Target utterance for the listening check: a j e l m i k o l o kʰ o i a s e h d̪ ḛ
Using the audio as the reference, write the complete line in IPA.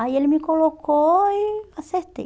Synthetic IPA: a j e l m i k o l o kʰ o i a s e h t̪ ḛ